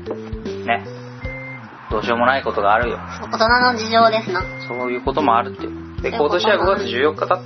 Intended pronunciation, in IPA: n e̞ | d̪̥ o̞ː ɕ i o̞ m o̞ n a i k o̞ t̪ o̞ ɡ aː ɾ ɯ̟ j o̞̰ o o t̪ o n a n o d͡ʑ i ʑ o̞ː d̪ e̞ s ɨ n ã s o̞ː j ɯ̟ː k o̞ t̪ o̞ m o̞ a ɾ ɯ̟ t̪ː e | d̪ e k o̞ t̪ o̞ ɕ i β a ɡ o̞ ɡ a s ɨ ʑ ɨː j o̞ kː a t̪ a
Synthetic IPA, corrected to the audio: n e̞ | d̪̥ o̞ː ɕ i o̞ m o̞ n a i k o̞ t̪ o̞ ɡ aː ɾ ɯ̟ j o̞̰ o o t̪ o n a n o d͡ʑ i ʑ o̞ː d̪ e̞ s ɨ n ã s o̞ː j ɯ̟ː k o̞ t̪ o̞ m o̞ a ɾ ɯ̟ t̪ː e | d̪ e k o̞ t̪ o̞ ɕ i β a ɡ o̞ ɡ a t͡s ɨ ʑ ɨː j o̞ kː a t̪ a